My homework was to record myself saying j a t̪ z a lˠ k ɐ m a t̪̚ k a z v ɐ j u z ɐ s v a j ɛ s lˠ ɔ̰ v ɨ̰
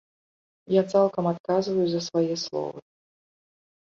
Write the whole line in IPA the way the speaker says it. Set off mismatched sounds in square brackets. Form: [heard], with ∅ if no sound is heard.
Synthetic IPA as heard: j a t̪ [s] a lˠ k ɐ m a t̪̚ k a z v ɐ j u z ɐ s v a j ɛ s lˠ ɔ̰ v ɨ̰